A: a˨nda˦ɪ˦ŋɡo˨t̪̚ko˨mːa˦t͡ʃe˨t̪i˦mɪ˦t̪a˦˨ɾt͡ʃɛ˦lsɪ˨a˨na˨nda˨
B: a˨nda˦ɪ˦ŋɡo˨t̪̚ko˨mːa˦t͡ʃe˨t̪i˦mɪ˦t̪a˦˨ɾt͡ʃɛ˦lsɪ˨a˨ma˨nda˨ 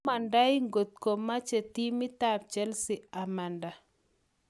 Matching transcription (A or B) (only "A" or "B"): B